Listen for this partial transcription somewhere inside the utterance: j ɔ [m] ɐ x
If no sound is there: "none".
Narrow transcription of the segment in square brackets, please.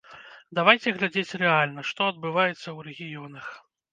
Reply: n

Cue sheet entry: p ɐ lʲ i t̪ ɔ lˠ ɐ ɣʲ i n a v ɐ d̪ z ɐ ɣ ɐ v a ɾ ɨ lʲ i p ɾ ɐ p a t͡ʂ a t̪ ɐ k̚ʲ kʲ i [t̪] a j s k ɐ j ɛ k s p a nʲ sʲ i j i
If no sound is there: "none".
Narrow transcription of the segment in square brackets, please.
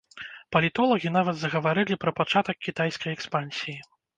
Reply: t̪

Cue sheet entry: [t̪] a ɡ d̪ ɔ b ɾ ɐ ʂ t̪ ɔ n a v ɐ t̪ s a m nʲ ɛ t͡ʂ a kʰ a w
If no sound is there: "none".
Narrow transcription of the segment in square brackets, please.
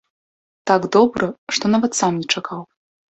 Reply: t̪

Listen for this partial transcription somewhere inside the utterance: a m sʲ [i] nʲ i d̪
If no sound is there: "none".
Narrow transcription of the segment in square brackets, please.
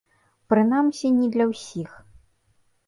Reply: i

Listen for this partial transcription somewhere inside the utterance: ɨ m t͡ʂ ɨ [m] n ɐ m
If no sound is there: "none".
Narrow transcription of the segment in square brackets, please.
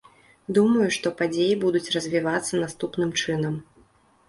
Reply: none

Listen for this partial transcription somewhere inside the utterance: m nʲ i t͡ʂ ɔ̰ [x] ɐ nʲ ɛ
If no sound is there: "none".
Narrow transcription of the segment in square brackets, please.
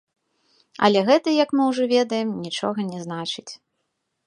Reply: ɣ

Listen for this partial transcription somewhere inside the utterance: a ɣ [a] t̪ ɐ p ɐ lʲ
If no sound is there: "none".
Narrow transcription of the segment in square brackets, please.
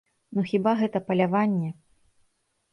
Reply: ɛ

